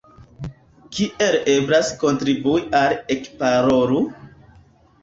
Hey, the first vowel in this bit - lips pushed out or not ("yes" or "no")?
no